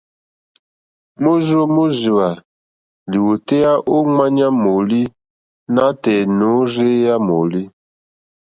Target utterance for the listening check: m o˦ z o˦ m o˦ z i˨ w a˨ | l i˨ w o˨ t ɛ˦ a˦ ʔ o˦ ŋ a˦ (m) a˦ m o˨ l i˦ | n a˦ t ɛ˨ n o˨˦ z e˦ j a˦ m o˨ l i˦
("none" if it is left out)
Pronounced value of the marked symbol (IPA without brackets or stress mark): ɲ